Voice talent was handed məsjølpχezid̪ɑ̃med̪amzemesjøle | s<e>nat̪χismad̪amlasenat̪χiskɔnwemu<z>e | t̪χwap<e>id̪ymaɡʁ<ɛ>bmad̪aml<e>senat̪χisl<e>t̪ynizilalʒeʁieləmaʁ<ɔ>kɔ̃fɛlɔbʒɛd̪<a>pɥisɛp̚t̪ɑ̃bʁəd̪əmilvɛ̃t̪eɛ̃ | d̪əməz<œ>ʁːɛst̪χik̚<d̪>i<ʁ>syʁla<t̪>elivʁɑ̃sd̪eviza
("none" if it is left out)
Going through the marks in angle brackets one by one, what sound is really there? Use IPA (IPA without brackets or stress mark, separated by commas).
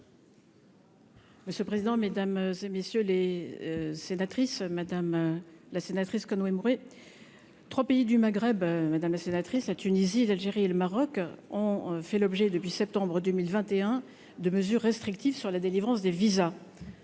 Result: e, ʁ, e, ɛ, a, a, ɔ, ə, y, t̪, v, d̪